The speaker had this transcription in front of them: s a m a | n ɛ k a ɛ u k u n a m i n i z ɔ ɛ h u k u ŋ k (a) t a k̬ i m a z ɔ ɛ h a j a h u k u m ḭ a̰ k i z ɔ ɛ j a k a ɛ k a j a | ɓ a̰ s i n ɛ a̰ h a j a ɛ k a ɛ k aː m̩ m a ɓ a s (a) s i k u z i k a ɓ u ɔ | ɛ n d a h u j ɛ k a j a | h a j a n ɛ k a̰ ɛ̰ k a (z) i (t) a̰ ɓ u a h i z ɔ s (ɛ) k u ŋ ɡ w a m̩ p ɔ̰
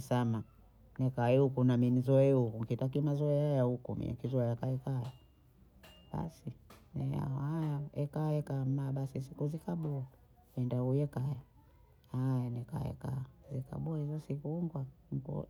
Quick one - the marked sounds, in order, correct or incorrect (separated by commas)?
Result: incorrect, incorrect, correct, incorrect, incorrect